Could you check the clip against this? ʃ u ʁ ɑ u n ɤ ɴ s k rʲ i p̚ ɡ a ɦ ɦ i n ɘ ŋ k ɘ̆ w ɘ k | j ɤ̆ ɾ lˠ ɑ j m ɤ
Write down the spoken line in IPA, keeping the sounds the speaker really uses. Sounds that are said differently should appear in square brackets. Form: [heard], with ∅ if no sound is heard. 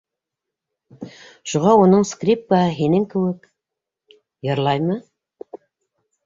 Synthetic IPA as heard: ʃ u ʁ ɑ u n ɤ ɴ s k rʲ i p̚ [k] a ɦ ɦ i n ɘ ŋ k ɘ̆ w ɘ k | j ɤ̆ ɾ lˠ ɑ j m ɤ